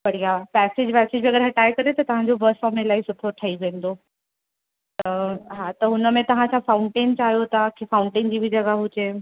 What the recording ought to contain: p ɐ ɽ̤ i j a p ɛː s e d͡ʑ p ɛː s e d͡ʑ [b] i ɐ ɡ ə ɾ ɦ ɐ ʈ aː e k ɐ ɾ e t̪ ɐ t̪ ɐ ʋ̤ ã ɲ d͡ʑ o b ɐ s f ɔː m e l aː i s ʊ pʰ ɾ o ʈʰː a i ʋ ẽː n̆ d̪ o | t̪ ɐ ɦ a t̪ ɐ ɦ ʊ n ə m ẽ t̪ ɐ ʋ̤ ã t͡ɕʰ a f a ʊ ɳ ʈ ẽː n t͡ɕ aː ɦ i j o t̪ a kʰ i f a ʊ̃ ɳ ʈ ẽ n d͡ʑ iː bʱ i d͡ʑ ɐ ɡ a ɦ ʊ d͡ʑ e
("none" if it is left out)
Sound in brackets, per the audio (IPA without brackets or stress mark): b